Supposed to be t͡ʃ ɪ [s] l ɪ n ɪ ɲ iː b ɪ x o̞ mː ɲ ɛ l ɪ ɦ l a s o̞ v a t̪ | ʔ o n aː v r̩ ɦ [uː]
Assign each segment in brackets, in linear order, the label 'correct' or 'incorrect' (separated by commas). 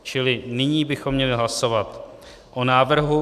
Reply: incorrect, incorrect